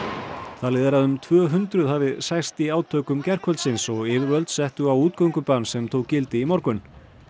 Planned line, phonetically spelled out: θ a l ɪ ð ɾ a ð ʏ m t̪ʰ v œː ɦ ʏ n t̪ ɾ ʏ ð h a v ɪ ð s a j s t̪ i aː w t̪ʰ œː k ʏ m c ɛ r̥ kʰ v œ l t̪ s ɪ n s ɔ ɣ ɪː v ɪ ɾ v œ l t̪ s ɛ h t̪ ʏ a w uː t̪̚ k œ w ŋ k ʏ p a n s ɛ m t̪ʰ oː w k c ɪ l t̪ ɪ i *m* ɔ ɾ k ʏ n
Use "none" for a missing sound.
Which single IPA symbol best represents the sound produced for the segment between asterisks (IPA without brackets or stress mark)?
m